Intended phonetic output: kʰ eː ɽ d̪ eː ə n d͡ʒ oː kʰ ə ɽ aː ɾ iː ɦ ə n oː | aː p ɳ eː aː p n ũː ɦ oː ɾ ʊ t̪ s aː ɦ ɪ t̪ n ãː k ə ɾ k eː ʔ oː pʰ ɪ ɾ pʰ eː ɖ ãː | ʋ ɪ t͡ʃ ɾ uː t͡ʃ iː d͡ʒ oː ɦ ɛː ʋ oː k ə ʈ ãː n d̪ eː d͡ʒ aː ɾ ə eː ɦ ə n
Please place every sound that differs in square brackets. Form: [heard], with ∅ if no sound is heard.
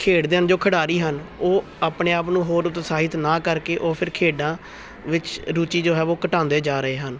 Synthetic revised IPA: kʰ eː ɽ d̪ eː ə n d͡ʒ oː kʰ ə ɽ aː ɾ iː ɦ ə n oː | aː p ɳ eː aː p n ũː ɦ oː ɾ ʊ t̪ s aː ɦ ɪ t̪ n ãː k ə ɾ k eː ʔ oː pʰ ɪ ɾ [kʰ] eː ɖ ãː | ʋ ɪ t͡ʃ ɾ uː t͡ʃ iː d͡ʒ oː ɦ ɛː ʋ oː k ə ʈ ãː n d̪ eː d͡ʒ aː ɾ ə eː ɦ ə n